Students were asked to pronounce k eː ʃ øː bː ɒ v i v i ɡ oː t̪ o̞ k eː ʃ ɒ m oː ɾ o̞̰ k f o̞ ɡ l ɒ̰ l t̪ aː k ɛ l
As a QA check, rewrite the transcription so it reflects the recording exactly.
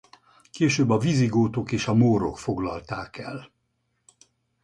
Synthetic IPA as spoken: k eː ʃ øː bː ɒ v i z i ɡ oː t̪ o̞ k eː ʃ ɒ m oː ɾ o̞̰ k f o̞ ɡ l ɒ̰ l t̪ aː k ɛ l